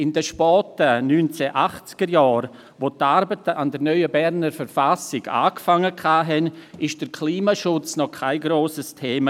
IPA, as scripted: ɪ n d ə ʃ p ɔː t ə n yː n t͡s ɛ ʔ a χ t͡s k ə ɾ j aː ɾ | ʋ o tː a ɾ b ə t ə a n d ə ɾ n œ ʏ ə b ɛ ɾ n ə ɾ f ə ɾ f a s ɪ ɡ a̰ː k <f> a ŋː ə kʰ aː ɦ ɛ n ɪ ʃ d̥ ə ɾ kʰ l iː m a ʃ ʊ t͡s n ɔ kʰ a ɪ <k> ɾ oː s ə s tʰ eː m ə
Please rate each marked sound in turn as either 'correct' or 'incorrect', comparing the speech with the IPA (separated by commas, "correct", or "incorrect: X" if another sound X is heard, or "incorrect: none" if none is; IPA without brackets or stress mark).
correct, incorrect: ɡ